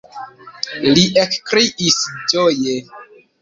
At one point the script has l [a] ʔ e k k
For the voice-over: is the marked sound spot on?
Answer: no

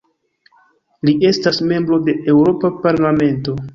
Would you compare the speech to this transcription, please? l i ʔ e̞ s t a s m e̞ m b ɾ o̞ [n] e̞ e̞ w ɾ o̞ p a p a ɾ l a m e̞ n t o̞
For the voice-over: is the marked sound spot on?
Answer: no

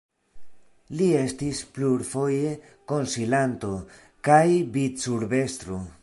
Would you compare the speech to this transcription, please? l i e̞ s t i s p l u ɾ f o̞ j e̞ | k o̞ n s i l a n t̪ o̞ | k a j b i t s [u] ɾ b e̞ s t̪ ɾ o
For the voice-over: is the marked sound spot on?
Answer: yes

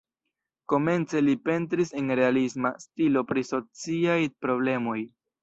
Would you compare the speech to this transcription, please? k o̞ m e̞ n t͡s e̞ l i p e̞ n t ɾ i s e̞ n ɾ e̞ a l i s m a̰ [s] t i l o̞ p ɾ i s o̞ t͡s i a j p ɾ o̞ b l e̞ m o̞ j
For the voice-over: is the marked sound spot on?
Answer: yes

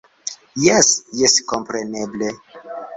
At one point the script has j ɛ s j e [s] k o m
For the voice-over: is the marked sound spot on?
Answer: yes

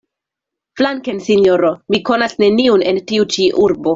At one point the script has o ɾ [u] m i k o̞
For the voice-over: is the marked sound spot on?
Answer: no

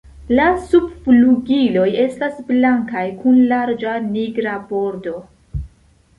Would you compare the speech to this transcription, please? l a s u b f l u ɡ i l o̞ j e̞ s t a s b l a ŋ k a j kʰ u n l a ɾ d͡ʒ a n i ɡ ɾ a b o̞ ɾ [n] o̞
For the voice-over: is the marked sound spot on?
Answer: no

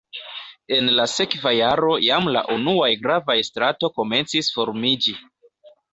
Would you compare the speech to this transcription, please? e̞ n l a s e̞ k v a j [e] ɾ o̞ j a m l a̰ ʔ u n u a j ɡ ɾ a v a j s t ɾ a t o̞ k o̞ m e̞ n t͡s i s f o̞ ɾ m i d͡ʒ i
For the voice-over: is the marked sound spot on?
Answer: no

